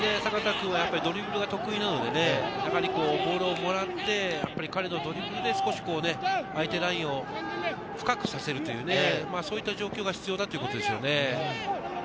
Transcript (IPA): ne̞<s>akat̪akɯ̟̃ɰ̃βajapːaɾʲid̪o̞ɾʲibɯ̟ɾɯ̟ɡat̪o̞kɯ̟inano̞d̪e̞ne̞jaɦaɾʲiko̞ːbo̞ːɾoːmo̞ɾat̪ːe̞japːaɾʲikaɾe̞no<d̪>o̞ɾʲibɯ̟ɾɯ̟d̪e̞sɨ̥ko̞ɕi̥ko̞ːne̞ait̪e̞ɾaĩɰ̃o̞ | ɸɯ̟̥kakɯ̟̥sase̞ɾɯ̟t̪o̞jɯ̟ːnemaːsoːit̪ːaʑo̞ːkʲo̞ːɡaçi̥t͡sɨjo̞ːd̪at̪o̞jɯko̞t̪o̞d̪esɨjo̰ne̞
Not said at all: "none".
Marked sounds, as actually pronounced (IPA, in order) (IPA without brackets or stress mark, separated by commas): s, d̪